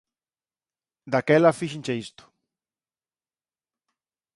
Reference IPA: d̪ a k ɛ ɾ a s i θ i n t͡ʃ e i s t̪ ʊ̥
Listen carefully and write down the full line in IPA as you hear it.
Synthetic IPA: d̪ a k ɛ l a f i ʃ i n t͡ʃ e i s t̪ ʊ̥